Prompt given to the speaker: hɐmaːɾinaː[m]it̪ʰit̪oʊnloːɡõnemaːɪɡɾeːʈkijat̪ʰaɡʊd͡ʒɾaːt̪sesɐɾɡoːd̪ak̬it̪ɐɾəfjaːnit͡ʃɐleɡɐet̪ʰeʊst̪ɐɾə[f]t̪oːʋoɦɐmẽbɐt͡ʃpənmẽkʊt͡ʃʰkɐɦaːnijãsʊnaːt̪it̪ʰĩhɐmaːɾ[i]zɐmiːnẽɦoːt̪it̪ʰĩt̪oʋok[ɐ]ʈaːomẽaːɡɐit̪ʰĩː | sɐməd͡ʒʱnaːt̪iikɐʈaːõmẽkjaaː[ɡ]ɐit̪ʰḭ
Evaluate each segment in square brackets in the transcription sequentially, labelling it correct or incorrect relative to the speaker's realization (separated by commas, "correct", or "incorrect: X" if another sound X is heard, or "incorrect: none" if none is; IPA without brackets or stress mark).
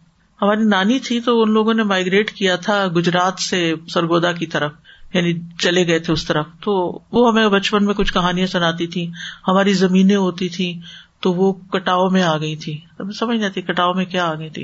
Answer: incorrect: n, correct, correct, correct, correct